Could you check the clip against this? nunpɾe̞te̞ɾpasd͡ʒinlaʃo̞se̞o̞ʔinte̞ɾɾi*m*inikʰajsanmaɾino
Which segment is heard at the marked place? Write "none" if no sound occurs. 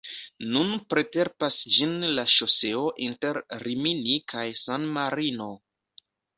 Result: m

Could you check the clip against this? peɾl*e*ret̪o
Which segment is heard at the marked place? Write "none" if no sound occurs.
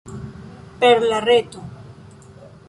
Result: a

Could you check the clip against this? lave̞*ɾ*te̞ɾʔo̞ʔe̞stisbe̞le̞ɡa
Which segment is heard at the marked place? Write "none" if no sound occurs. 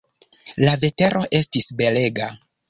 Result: none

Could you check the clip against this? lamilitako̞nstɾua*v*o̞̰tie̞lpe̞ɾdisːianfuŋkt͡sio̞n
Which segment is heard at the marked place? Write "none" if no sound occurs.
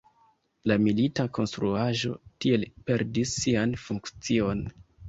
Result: ʒ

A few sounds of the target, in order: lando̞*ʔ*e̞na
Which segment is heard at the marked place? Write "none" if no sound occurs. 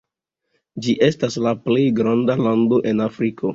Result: ʔ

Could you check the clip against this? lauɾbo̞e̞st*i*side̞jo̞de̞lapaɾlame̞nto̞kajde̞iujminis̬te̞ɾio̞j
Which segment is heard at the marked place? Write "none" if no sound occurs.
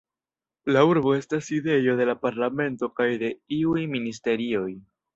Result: a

